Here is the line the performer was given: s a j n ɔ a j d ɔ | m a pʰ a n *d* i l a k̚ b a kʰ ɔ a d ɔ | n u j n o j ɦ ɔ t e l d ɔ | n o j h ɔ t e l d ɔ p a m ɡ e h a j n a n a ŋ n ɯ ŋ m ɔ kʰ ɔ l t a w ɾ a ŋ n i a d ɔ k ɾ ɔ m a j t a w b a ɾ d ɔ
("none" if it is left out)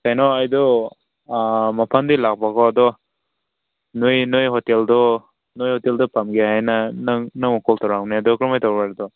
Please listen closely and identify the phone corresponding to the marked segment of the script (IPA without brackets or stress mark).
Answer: d